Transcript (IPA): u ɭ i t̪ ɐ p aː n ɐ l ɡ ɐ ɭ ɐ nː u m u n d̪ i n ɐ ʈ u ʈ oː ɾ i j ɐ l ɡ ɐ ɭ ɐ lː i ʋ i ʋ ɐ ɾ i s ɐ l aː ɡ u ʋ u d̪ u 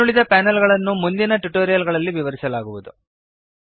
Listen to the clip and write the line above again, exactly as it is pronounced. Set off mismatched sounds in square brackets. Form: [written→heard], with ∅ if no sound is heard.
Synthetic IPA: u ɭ i [t̪→d̪] ɐ p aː n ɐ l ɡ ɐ ɭ ɐ nː u m u n d̪ i n ɐ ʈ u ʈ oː ɾ i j ɐ l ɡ ɐ ɭ ɐ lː i ʋ i ʋ ɐ ɾ i s ɐ l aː ɡ u ʋ u d̪ u